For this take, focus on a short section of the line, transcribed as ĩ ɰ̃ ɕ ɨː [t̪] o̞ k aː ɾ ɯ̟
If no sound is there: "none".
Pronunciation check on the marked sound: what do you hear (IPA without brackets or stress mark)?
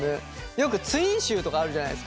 t̪